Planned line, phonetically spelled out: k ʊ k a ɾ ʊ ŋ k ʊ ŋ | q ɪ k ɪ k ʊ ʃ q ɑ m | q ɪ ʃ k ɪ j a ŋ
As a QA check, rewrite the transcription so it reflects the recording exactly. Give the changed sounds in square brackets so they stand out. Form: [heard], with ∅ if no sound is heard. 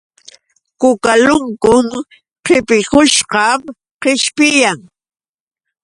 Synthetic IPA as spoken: k ʊ k a [l] ʊ ŋ k ʊ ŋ | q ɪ [p] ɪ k ʊ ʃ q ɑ m | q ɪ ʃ [p] ɪ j a ŋ